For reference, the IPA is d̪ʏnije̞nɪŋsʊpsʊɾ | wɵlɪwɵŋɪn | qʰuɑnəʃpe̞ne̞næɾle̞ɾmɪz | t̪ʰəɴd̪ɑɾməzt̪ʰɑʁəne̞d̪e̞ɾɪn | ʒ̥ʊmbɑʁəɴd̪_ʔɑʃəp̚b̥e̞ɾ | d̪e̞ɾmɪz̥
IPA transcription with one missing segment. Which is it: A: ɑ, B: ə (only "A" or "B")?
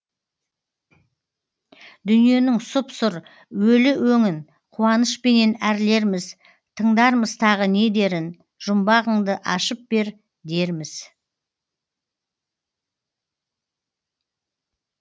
B